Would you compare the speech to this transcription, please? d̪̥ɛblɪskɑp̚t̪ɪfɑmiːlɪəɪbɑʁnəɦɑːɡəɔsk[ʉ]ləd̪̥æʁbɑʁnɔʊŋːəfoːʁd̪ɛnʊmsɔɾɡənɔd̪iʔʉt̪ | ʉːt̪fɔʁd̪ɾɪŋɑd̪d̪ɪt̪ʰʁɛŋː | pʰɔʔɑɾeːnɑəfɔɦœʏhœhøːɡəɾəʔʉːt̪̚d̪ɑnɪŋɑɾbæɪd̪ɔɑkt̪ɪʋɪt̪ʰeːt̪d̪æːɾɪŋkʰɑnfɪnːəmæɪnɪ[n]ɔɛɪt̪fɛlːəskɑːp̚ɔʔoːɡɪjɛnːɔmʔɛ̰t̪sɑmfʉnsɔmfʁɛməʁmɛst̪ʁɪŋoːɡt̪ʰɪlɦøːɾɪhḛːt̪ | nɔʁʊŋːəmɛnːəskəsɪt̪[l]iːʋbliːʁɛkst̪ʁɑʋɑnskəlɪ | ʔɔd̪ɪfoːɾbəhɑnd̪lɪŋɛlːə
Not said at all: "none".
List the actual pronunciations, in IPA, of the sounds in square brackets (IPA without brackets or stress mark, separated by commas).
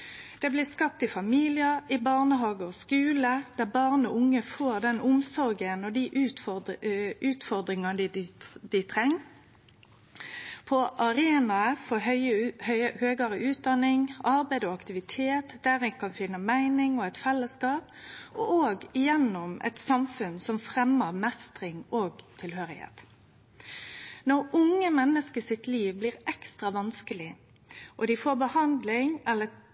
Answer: ʉː, ŋ, l